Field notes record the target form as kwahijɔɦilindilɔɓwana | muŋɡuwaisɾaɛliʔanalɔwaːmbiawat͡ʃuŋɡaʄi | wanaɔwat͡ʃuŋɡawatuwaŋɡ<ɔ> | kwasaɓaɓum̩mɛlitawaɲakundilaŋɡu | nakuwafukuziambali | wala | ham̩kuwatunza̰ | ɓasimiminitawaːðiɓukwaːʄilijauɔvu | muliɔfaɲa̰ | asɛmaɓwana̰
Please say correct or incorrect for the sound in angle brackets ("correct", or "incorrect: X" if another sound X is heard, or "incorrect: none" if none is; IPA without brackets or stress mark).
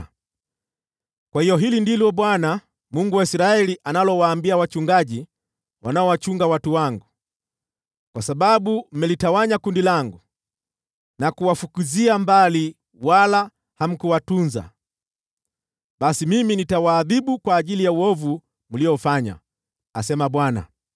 incorrect: u